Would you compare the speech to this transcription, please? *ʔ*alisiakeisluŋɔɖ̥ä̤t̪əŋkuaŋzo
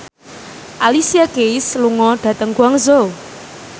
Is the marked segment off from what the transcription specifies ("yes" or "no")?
no